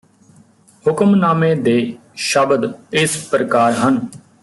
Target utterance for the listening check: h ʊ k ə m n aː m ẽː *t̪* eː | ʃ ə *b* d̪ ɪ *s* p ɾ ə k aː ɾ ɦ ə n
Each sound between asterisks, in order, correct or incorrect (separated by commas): incorrect, correct, correct